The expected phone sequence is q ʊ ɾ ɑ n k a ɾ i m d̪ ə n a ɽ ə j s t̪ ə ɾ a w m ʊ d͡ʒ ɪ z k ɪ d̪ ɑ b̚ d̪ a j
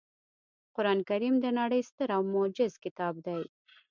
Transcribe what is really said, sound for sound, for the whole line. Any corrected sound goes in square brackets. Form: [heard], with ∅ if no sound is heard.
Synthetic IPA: q ʊ ɾ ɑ n k a ɾ i m d̪ ə n a ɽ ə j s t̪ ə ɾ a w m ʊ d͡ʒ ɪ z k ɪ [t̪] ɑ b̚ d̪ a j